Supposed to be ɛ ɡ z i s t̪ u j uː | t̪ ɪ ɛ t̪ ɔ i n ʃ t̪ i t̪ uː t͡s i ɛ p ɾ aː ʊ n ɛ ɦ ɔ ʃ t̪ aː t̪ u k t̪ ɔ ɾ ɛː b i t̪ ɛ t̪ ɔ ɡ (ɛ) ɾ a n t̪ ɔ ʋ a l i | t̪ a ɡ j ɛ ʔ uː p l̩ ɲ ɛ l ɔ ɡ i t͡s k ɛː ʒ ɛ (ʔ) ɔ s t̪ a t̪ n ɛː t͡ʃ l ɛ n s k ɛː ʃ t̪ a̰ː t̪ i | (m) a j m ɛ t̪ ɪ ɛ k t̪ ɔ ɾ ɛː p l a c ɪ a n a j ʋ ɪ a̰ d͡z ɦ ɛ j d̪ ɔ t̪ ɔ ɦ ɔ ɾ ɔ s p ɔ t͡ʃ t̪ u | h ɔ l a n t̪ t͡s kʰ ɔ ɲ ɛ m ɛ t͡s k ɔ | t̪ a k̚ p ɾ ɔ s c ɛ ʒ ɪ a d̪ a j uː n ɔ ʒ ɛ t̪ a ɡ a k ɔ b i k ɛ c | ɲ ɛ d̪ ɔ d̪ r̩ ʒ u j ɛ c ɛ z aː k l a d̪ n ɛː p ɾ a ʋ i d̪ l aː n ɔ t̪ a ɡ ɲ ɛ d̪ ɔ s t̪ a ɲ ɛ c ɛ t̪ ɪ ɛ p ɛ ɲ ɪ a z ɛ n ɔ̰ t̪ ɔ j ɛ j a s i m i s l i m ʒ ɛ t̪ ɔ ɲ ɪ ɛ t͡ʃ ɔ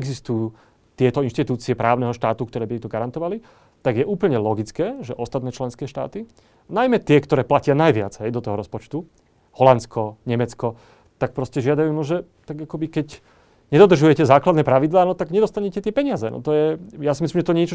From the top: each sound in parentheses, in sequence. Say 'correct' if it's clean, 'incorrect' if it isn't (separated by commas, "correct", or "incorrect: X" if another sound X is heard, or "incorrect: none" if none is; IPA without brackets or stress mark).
incorrect: a, correct, incorrect: n